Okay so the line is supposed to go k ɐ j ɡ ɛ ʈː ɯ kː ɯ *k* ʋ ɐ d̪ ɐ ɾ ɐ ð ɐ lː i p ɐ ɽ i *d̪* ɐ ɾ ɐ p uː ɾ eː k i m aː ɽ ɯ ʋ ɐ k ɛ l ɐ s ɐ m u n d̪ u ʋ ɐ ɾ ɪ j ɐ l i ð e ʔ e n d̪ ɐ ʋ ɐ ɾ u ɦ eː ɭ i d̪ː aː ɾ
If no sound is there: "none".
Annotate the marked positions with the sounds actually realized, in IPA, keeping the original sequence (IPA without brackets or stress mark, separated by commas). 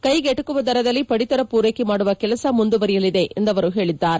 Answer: none, t̪